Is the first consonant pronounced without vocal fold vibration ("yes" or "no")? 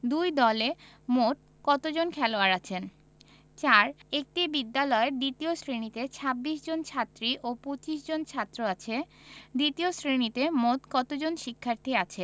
no